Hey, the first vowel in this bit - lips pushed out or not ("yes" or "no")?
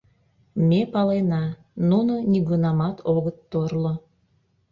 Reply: no